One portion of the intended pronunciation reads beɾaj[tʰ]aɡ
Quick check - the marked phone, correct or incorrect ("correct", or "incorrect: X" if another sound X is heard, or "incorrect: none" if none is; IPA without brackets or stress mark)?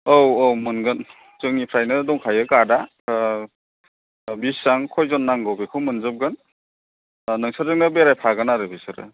incorrect: pʰ